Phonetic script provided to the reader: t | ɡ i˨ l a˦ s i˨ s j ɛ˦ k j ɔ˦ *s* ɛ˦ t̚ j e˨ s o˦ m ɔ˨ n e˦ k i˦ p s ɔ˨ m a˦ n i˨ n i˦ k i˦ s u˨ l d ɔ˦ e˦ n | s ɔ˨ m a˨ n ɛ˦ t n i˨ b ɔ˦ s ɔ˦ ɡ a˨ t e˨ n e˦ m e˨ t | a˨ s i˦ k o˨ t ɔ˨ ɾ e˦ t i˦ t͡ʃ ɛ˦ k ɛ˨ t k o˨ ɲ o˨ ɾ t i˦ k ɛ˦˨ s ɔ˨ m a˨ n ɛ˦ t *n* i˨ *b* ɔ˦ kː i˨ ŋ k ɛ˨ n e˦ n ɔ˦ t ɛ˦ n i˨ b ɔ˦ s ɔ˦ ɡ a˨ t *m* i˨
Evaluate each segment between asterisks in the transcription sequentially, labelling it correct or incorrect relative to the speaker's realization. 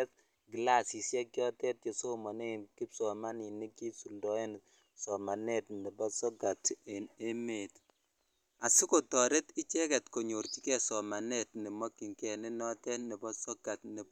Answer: incorrect: t, correct, incorrect: m, incorrect: n

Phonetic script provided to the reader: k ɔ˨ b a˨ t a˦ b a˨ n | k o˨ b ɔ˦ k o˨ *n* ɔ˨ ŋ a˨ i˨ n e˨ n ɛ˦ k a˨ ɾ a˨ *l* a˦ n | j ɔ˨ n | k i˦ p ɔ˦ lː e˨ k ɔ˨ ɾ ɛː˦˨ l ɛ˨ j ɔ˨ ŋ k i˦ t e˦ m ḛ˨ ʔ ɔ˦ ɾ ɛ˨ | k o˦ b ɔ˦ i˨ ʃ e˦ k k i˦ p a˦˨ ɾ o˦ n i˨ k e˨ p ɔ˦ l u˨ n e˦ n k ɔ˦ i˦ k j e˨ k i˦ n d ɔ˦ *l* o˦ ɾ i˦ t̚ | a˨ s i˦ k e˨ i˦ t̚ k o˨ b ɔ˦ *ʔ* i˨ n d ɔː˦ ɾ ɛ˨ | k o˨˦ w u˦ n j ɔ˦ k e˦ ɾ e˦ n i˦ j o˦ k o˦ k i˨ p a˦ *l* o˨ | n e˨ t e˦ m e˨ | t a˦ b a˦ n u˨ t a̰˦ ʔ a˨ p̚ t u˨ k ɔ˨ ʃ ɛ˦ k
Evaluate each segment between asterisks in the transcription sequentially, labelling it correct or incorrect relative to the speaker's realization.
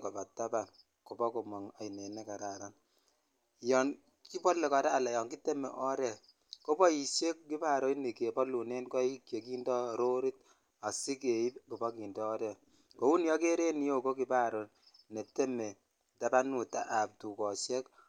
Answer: incorrect: m, incorrect: ɾ, incorrect: ɾ, incorrect: k, incorrect: ɾ

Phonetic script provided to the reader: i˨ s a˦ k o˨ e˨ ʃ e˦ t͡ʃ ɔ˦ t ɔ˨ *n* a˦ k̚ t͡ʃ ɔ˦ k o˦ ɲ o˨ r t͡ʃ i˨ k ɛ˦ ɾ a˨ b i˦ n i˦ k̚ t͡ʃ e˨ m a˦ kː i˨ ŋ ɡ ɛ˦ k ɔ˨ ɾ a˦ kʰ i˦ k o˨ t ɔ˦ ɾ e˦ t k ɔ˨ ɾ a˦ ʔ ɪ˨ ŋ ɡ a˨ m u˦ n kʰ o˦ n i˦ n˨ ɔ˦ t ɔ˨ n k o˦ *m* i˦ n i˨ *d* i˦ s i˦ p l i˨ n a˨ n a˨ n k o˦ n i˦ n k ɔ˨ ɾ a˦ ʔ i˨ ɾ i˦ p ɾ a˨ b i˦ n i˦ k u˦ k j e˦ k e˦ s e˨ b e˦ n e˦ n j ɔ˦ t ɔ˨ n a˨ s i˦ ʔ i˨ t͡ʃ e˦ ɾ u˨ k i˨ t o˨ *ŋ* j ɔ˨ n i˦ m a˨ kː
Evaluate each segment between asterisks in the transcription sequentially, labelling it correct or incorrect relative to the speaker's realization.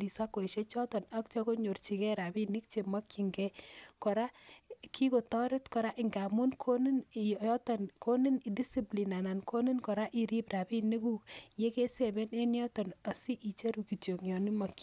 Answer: correct, incorrect: n, correct, correct

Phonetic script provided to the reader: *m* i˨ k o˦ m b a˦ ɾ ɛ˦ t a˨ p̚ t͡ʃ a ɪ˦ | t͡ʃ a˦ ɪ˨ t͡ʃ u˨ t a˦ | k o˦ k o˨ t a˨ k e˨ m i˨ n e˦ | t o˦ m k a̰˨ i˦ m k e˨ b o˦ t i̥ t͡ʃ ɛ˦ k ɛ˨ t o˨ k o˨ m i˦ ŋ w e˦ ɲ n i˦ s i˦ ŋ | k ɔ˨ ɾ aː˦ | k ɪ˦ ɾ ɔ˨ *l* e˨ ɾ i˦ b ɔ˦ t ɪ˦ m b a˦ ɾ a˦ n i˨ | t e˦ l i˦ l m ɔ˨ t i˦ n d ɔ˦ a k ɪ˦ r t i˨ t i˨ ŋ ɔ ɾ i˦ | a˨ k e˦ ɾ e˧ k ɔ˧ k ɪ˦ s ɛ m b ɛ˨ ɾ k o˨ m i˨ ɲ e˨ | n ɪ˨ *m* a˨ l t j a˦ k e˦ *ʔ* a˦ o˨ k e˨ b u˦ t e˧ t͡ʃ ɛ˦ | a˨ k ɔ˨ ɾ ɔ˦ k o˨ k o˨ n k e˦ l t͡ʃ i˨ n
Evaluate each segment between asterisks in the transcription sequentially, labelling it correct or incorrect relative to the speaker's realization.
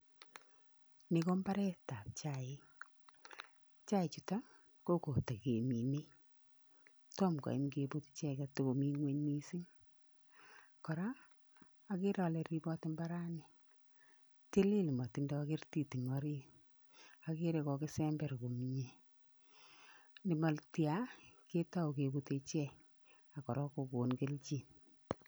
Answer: incorrect: n, correct, correct, incorrect: t

